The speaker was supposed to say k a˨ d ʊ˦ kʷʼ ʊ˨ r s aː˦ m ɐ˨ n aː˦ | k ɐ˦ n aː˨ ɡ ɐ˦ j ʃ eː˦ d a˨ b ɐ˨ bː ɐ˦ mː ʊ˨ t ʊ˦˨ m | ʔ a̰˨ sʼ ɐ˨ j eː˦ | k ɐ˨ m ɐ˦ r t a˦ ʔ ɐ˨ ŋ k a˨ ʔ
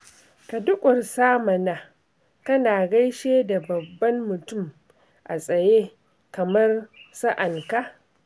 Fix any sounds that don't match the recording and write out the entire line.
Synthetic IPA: k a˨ d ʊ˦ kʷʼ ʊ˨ r s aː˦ m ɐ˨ n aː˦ | k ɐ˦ n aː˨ ɡ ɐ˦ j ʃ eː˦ d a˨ b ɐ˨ bː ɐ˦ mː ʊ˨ t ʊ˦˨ m | ʔ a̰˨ sʼ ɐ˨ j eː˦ | k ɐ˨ m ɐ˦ r s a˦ ʔ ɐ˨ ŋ k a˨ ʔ

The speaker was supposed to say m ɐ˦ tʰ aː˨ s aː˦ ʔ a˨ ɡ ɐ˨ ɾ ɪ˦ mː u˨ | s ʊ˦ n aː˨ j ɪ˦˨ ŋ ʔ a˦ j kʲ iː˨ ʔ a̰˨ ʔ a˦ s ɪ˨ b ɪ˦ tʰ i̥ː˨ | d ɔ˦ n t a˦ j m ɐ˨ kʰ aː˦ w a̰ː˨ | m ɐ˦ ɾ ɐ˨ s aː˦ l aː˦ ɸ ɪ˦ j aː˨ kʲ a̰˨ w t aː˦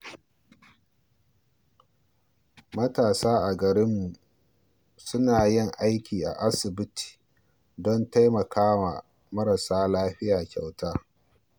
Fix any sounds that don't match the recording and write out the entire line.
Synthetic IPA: m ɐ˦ t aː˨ s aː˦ ʔ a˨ ɡ ɐ˨ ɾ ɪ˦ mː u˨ | s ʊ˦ n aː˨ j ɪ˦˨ ŋ ʔ a˦ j kʲ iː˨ ʔ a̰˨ ʔ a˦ s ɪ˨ b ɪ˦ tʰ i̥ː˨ | d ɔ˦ n t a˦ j m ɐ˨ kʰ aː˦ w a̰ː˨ | m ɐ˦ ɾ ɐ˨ s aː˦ l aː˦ ɸ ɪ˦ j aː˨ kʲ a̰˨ w t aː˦

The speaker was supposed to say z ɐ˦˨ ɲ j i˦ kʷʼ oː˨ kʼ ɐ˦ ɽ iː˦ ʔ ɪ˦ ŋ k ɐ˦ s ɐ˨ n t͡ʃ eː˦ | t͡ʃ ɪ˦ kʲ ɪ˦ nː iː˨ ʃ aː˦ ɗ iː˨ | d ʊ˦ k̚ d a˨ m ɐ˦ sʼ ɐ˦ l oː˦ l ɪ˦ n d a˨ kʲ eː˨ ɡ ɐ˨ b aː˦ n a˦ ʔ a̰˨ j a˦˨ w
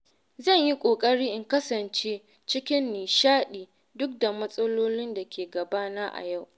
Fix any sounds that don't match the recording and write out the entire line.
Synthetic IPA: z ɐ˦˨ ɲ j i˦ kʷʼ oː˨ kʼ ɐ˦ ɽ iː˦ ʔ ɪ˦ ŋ k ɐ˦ s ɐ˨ n t͡ʃ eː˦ | t͡ʃ ɪ˦ kʲ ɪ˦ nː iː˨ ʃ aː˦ ɗ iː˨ | d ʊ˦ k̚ d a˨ m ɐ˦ sʼ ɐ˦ l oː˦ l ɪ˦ n d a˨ kʲ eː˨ ɡ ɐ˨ b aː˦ n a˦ ʔ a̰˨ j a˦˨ w

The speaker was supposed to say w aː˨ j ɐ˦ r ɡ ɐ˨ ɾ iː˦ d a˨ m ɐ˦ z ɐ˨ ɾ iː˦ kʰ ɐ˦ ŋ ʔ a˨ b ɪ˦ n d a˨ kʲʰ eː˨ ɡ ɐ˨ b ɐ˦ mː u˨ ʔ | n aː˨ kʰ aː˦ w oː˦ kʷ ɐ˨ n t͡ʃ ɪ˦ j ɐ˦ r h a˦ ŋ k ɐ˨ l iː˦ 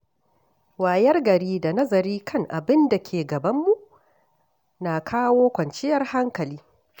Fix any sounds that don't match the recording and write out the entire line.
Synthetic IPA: w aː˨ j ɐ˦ r ɡ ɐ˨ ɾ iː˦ d a˨ n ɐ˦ z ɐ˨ ɾ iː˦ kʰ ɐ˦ ŋ ʔ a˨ b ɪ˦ n d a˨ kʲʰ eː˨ ɡ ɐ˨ b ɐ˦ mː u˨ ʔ | n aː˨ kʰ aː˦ w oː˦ kʷ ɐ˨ n t͡ʃ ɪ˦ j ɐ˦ r h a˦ ŋ k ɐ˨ l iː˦

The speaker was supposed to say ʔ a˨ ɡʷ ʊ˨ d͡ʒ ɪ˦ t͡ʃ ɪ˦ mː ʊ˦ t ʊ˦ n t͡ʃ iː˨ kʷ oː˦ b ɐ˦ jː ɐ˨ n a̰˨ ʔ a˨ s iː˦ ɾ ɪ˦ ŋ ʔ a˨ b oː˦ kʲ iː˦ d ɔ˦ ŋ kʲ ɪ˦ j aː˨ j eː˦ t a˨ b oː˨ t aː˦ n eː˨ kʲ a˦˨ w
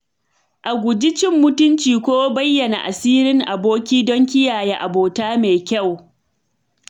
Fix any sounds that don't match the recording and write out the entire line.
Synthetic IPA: ʔ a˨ ɡʷ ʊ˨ d͡ʒ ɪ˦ t͡ʃ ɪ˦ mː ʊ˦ t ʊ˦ n t͡ʃ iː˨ kʷ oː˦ b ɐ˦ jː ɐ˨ n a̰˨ ʔ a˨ s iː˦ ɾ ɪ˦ ŋ ʔ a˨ b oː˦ kʲ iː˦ d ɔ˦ ŋ kʲ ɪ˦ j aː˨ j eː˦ ʔ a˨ b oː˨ t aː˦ m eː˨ kʲ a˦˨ w

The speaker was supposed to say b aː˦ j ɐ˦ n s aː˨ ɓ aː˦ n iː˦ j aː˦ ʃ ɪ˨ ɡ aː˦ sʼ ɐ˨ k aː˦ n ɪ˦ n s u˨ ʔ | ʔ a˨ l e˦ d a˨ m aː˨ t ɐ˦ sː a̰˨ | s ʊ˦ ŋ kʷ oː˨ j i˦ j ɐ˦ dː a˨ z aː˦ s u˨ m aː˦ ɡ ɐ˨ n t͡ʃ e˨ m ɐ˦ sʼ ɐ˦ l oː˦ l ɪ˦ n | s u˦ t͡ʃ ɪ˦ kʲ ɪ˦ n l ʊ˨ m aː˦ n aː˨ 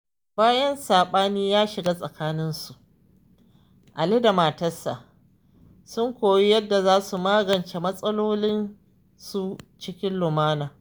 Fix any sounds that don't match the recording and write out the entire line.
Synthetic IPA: b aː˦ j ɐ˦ n s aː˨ ɓ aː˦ n iː˦ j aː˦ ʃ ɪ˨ ɡ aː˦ sʼ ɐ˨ k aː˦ n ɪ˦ n s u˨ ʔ | ʔ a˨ l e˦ d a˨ m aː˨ t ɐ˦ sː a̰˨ | s ʊ˦ ŋ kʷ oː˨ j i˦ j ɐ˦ dː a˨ z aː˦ s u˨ m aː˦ ɡ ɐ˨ n t͡ʃ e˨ m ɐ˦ sʼ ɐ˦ l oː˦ l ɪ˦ n | s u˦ t͡ʃ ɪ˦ kʲ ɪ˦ n l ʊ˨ m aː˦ n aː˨

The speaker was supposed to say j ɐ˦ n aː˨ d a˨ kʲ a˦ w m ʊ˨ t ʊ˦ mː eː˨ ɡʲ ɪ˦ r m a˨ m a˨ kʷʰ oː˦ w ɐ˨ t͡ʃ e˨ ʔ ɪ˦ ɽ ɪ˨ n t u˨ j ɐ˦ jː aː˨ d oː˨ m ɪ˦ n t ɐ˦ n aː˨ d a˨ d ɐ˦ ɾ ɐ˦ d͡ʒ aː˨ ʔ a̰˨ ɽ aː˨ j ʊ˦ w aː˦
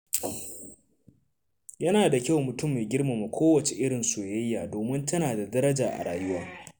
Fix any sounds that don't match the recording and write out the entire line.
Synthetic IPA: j ɐ˦ n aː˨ d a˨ kʲ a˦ w m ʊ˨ t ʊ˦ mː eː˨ ɡʲ ɪ˦ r m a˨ m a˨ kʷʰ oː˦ w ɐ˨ t͡ʃ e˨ ʔ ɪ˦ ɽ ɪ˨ n s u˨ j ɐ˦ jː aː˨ d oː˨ m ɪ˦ n t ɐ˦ n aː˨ d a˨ d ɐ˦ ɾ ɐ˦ d͡ʒ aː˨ ʔ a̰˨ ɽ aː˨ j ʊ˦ w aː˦

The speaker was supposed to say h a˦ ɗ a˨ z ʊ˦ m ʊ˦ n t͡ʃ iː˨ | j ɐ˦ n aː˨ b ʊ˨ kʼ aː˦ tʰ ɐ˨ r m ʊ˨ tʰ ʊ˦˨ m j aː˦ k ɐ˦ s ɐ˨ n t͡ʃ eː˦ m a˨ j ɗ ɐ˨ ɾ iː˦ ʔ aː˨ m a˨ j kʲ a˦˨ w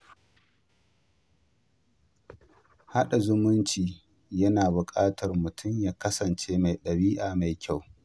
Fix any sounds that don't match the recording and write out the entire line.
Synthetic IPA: h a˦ ɗ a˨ z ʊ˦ m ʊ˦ n t͡ʃ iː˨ | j ɐ˦ n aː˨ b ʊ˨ kʼ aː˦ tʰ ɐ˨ r m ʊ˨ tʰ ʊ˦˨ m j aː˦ k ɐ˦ s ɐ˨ n t͡ʃ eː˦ m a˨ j ɗ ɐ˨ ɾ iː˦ ʔ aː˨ m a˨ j kʲ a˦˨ w

